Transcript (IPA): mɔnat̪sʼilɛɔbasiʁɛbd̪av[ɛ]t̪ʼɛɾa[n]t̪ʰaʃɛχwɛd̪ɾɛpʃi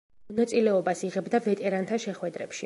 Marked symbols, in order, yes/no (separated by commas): yes, yes